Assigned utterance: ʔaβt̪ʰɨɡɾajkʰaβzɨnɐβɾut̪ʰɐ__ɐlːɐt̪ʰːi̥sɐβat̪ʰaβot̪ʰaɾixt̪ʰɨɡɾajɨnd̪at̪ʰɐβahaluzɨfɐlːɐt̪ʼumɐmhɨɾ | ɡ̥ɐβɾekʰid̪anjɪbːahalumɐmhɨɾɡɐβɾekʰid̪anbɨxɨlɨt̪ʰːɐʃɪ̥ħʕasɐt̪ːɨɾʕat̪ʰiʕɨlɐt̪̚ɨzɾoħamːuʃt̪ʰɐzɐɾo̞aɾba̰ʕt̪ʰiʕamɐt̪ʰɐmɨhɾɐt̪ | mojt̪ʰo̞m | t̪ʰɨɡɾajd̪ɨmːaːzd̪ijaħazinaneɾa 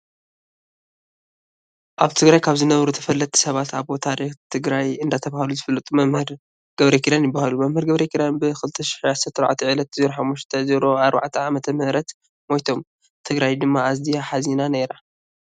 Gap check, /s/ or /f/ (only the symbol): f